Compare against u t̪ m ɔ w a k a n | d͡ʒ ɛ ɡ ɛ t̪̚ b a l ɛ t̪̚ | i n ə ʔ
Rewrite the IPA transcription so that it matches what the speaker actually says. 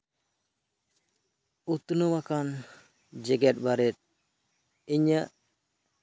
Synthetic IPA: u t̪ n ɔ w a k a n | d͡ʒ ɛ ɡ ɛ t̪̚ b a ɾ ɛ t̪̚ | i ɲ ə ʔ